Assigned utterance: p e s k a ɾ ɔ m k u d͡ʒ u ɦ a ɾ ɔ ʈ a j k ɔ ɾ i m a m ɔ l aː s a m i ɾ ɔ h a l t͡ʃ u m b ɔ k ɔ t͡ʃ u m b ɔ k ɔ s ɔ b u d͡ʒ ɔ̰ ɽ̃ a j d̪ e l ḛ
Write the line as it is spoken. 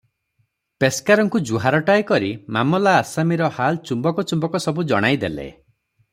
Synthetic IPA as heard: p e s k a ɾ ɔ ŋ k u d͡ʒ u ɦ a ɾ ɔ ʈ a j k ɔ ɾ i m a m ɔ l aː s a m i ɾ ɔ h a l t͡ʃ u m b ɔ k ɔ t͡ʃ u m b ɔ k ɔ s ɔ b u d͡ʒ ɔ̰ ɽ̃ a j d̪ e l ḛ